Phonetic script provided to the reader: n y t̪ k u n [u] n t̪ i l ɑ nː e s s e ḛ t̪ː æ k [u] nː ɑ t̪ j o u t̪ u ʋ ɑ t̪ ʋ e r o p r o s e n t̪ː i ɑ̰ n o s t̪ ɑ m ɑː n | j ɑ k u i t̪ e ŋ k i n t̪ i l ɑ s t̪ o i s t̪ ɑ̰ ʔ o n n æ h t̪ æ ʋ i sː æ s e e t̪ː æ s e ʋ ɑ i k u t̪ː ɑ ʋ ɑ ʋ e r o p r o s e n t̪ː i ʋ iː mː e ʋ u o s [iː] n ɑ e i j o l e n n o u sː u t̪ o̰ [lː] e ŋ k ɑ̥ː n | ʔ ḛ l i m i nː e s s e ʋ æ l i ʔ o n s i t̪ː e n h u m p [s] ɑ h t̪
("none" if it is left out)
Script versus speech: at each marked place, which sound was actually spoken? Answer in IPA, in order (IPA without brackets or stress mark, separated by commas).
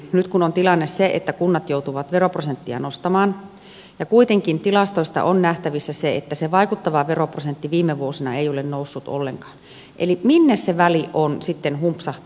o, u, i, lː, s